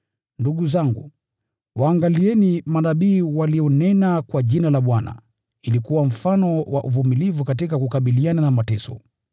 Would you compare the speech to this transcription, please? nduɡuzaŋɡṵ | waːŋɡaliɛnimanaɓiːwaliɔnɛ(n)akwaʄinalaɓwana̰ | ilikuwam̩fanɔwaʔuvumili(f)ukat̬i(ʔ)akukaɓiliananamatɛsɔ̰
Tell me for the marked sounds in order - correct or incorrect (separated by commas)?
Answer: correct, incorrect, incorrect